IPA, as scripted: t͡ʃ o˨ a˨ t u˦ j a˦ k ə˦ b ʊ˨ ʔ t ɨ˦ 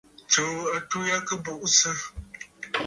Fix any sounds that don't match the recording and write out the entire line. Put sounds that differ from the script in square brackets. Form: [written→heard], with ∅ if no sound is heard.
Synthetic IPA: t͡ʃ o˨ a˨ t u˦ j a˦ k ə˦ b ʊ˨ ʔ [t→s] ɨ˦